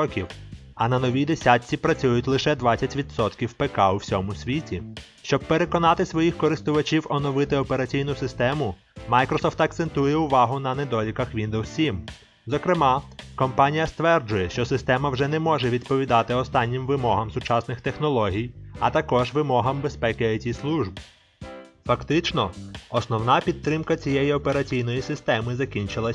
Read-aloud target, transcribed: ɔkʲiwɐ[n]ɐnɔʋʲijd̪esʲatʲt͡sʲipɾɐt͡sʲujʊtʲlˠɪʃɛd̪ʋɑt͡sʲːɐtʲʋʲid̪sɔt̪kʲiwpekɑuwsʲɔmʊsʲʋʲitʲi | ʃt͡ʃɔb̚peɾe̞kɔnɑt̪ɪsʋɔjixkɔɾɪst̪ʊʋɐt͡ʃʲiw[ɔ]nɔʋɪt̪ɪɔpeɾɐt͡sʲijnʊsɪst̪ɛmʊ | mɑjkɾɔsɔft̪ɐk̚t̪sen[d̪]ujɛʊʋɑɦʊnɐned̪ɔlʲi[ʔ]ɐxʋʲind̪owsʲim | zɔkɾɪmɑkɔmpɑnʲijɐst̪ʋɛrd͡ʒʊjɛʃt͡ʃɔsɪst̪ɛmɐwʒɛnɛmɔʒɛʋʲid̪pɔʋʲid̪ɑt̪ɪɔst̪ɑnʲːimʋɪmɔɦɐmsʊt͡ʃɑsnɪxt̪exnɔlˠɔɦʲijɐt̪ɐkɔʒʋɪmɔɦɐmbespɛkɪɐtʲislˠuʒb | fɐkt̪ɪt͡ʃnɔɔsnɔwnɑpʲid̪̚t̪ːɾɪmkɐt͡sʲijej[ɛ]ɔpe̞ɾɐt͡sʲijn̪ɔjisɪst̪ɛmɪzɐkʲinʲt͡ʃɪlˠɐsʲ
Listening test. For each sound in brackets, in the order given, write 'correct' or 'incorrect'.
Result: correct, correct, incorrect: t̪, incorrect: k, incorrect: i

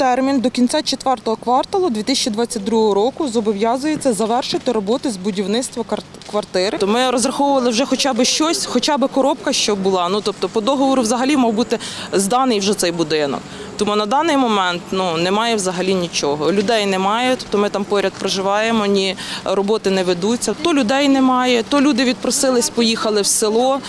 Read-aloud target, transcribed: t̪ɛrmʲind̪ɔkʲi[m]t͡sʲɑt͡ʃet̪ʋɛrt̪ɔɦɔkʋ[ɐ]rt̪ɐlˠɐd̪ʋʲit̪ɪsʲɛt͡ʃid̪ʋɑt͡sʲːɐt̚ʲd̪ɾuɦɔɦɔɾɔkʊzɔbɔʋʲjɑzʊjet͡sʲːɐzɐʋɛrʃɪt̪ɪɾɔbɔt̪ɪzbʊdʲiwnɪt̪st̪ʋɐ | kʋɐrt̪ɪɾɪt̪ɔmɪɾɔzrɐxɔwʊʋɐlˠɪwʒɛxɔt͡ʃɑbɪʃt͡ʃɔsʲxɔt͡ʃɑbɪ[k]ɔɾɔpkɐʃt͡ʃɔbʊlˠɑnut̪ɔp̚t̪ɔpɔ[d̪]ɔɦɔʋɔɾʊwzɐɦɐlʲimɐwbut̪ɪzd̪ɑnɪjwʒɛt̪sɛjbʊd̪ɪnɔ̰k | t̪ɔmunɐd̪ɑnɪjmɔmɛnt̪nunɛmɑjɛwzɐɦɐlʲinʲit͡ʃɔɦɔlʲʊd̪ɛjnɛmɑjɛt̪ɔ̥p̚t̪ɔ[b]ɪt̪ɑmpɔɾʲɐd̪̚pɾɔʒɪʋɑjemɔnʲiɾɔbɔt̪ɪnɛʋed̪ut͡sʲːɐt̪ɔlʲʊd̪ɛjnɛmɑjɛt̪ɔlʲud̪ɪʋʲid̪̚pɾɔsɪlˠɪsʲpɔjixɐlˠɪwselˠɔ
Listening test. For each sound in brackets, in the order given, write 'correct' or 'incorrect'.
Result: incorrect: n, incorrect: ɑ, correct, correct, incorrect: m

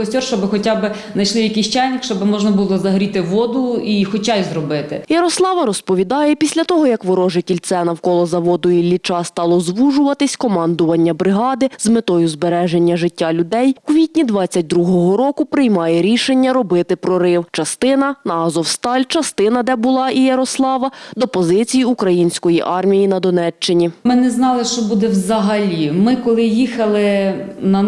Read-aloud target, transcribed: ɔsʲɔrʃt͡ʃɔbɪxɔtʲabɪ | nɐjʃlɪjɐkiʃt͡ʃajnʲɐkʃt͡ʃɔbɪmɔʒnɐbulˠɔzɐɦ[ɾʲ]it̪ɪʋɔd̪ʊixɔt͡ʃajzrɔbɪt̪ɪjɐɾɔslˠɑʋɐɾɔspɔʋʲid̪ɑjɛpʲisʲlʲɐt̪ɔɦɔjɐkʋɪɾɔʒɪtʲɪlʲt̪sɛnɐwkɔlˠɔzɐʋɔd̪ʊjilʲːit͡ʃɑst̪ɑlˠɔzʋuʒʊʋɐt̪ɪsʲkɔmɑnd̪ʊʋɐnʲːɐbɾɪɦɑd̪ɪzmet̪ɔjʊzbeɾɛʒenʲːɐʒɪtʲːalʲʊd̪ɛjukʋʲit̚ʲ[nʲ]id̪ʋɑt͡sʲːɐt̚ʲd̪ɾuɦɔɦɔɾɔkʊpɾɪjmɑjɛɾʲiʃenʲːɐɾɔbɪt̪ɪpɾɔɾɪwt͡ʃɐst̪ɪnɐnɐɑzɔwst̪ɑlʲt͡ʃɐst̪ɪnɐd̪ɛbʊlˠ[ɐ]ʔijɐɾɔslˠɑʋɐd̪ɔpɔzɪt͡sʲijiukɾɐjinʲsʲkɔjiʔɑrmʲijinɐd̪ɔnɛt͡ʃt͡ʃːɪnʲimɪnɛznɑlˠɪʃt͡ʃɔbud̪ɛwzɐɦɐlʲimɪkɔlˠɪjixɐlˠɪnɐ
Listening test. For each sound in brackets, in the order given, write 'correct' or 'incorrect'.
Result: correct, correct, incorrect: ɑ

